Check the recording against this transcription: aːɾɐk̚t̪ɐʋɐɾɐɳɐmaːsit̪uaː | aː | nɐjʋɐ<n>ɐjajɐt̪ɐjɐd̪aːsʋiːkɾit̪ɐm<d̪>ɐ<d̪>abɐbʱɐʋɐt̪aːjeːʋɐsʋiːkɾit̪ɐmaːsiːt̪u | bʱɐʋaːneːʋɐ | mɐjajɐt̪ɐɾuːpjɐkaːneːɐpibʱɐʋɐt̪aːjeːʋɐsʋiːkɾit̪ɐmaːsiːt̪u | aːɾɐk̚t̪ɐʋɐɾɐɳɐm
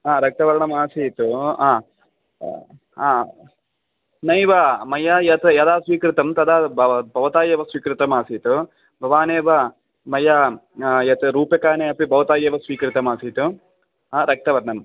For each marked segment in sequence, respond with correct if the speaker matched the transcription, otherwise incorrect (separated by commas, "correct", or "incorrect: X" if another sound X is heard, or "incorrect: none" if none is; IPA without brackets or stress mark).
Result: incorrect: m, incorrect: t̪, correct